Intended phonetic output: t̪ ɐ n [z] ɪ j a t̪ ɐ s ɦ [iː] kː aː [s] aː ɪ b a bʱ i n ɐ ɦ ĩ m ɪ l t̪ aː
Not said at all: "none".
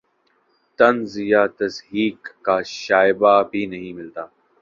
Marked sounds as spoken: z, iː, ʃ

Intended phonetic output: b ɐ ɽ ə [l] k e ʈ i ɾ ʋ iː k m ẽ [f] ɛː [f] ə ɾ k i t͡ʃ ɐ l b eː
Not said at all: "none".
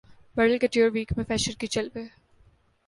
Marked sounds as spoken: l, f, ʃ

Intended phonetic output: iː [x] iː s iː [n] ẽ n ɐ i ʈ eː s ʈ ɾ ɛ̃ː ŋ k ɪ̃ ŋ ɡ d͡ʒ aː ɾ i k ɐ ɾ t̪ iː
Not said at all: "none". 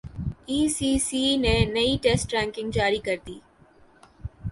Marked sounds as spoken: s, n

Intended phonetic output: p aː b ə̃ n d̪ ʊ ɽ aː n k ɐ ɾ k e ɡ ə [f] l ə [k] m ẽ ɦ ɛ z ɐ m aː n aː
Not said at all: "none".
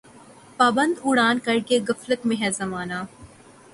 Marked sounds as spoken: f, k

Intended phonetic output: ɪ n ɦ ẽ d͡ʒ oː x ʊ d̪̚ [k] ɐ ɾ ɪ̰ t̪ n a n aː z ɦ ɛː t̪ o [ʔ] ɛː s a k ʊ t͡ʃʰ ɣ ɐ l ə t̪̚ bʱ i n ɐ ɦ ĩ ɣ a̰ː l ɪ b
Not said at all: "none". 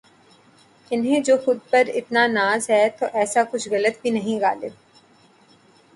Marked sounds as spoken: p, ʔ

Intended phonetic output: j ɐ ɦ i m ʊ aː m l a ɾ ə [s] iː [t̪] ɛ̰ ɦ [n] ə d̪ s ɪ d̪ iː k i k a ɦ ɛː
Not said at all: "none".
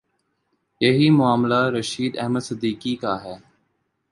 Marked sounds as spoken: ʃ, d̪, m

